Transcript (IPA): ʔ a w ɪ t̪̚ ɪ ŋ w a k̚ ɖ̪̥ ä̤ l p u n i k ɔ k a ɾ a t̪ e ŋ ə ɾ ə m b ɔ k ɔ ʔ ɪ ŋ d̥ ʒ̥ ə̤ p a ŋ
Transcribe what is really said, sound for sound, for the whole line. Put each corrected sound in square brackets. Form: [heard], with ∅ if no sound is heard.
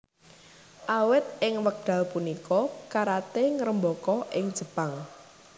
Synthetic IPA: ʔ a w ɪ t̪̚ ɪ ŋ w [ə] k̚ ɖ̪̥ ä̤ l p u n i k ɔ k a ɾ a t̪ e ŋ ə ɾ ə m b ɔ k ɔ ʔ ɪ ŋ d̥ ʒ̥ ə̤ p a ŋ